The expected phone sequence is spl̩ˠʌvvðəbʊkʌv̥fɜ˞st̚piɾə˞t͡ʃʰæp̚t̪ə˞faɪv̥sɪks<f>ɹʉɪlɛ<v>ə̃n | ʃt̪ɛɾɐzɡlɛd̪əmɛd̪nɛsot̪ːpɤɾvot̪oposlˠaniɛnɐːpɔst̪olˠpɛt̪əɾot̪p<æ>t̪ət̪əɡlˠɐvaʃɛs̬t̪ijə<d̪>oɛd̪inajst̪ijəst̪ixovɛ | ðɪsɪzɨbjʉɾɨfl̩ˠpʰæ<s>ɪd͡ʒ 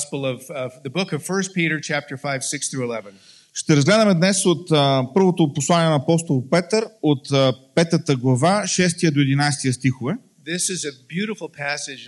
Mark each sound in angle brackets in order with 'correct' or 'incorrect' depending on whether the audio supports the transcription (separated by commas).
incorrect, correct, incorrect, correct, correct